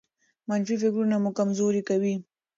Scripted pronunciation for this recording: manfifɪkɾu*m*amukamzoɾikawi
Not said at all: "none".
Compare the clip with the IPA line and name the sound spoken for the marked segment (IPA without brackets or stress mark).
n